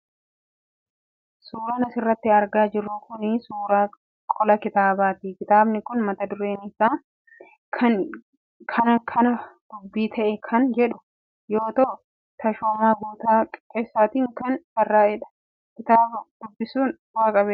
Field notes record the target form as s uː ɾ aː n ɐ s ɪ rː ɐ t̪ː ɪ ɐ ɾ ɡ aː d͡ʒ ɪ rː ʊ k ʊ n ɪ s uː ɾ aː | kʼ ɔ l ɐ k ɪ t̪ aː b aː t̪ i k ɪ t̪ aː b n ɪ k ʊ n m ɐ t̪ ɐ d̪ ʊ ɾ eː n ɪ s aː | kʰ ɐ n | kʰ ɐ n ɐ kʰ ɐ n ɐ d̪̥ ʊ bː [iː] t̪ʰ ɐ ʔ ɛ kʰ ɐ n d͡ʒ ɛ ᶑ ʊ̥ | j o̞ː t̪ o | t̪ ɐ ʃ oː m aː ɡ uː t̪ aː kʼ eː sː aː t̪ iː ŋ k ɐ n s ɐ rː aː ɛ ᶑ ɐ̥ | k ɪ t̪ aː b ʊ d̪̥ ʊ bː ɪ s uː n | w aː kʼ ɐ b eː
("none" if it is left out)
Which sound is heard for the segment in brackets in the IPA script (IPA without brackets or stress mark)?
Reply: iː